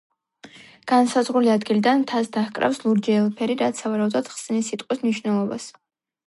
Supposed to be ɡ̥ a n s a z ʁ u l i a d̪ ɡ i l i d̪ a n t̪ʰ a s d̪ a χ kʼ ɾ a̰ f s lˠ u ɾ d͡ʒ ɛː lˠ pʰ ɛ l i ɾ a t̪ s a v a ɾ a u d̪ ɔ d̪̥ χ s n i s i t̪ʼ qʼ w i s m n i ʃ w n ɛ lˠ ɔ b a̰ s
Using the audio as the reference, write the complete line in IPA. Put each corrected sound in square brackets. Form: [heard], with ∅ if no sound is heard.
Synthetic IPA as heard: ɡ̥ a n s a z ʁ u l i a d̪ ɡ i l i d̪ a n t̪ʰ a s d̪ a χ kʼ ɾ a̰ f s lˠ u ɾ d͡ʒ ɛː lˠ pʰ ɛ [ɾ] i ɾ a t̪ s a v a ɾ a u d̪ ɔ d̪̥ χ s n i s i t̪ʼ qʼ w i s m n i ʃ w n ɛ lˠ ɔ b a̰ s